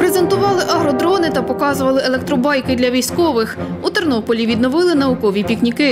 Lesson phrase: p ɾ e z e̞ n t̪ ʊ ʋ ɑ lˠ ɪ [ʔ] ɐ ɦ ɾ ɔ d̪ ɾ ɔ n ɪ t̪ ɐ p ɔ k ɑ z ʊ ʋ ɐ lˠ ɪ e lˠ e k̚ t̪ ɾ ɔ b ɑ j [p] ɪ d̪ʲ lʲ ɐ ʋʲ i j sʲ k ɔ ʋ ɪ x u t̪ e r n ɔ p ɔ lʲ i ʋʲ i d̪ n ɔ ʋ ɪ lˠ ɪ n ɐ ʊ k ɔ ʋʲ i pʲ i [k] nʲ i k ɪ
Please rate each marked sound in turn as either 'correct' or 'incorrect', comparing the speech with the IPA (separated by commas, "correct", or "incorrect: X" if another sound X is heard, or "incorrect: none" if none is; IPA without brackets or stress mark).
correct, incorrect: k, correct